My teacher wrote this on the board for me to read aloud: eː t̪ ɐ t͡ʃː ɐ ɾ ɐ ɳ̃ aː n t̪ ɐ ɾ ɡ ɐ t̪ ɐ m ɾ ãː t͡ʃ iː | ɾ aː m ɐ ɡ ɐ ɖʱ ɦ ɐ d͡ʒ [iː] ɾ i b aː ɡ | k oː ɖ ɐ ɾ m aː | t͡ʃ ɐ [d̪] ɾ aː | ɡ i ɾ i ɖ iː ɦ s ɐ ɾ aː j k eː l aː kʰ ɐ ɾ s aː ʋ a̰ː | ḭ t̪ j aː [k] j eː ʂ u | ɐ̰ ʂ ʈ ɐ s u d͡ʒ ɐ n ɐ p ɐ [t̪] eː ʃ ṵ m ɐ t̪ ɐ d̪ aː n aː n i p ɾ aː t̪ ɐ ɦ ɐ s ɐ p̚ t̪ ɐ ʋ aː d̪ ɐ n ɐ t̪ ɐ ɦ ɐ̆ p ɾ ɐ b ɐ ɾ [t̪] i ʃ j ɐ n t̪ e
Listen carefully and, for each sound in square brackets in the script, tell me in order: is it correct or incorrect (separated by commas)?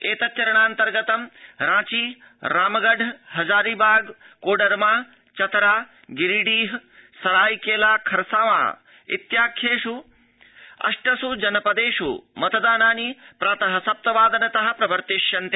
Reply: incorrect, incorrect, incorrect, incorrect, correct